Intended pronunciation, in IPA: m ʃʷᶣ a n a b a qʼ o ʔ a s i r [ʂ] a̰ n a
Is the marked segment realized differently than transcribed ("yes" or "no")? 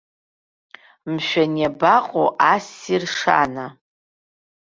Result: no